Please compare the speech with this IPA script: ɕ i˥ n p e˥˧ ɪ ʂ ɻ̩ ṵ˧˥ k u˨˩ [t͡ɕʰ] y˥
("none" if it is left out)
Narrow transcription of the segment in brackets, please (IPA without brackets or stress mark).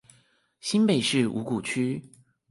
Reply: t͡ɕʰ